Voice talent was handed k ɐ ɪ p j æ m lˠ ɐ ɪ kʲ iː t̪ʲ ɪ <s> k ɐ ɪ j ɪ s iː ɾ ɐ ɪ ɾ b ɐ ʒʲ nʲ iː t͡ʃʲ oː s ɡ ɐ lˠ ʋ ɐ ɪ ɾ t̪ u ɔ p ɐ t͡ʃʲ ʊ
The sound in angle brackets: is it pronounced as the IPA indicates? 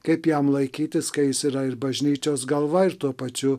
yes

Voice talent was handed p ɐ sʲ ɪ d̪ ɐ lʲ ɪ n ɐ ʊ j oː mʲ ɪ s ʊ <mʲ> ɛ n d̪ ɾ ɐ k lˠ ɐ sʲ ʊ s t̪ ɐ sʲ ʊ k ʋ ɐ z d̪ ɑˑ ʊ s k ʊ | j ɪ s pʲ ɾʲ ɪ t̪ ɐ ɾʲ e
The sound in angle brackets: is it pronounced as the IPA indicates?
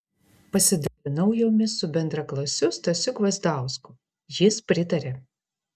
no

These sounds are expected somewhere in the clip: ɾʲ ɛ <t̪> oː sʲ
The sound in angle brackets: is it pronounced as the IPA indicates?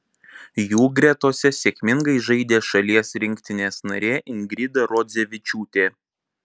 yes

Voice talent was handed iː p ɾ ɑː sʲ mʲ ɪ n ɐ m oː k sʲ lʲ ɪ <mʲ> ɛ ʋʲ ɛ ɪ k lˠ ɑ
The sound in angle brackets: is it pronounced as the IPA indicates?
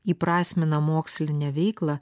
no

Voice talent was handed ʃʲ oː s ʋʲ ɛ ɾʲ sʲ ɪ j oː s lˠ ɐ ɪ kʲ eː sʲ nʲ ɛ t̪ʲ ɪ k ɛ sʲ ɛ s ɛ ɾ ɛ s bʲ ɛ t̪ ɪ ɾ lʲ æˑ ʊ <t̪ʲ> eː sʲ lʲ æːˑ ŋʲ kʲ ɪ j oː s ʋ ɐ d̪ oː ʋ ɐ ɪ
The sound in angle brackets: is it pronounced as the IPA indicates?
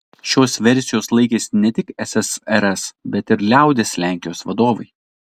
no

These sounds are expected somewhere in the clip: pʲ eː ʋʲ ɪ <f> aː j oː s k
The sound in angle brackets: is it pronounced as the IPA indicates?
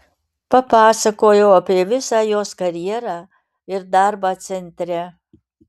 no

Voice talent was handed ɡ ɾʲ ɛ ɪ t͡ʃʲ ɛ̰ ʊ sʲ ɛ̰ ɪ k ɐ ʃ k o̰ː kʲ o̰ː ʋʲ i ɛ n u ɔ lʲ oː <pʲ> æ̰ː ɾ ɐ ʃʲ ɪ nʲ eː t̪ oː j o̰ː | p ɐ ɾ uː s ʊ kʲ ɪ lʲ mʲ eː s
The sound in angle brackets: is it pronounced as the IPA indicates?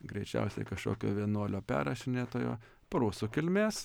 yes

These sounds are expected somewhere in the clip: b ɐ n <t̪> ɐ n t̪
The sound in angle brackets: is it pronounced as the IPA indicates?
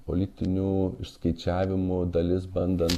no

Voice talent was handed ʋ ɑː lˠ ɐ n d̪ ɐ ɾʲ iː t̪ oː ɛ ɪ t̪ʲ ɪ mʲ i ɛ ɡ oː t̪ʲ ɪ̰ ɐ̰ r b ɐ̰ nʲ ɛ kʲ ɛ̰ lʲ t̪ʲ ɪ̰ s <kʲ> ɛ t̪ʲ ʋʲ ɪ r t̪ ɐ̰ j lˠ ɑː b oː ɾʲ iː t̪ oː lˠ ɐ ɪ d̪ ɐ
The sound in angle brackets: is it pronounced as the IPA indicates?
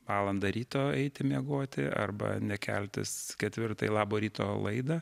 yes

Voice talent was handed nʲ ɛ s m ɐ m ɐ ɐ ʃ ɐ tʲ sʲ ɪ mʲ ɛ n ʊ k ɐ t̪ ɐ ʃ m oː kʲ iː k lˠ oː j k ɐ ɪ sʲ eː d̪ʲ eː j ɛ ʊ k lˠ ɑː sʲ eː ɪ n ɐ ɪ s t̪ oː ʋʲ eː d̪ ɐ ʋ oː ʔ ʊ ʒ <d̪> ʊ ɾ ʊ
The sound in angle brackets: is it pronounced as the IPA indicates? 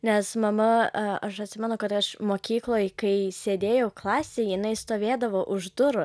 yes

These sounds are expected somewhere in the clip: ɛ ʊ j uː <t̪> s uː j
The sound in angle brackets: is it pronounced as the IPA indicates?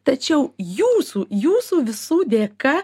no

